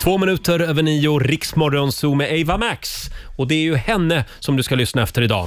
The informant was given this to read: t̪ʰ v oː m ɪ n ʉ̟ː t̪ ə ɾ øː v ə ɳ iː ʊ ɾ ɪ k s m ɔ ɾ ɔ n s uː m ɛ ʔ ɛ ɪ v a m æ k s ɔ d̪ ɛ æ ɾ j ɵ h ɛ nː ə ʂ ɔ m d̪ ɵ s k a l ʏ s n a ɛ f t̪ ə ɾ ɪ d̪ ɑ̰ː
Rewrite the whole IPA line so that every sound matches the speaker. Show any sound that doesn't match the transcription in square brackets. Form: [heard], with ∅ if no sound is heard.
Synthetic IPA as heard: t̪ʰ v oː m ɪ n ʉ̟ː t̪ ə ɾ øː v ə ɳ iː ʊ ɾ ɪ k s m ɔ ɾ ɔ n s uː m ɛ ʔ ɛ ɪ v a m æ k s ɔ d̪ ɛ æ ɾ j ɵ h ɛ nː ə [s] ɔ m d̪ ɵ s k a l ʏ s n a ɛ f t̪ ə ɾ ɪ d̪ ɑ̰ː